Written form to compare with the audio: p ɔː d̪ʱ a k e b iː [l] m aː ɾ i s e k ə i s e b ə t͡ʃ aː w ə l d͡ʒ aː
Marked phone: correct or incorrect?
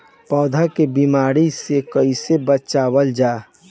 incorrect: none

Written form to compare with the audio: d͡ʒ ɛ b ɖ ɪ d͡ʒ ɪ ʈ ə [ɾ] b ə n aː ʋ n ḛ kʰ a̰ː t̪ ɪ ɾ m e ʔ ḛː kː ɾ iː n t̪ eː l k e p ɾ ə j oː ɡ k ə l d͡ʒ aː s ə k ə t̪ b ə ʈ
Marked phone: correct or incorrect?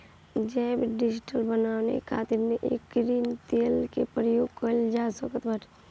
incorrect: l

